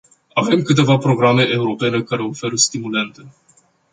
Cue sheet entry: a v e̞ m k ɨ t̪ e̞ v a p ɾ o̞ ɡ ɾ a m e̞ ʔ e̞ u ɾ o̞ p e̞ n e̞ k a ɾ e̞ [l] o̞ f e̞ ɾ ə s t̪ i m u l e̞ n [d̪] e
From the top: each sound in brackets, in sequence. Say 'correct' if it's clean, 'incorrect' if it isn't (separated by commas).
incorrect, incorrect